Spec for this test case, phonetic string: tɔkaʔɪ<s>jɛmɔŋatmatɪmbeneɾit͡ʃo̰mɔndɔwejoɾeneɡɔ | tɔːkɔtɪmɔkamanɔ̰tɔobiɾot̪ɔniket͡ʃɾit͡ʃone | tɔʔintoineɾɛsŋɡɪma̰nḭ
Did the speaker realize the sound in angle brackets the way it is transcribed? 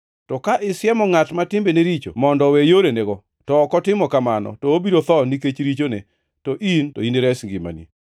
yes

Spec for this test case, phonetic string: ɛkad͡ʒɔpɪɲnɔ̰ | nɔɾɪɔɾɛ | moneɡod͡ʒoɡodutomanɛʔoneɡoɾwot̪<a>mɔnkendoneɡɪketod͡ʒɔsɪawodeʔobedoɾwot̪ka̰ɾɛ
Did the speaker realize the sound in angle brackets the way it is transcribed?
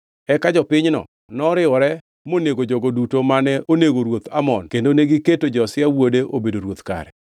yes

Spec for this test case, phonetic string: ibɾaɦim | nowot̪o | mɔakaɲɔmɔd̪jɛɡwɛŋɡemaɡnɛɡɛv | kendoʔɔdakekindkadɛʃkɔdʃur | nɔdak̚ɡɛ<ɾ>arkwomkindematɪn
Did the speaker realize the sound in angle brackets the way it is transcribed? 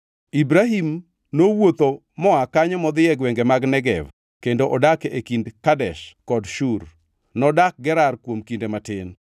yes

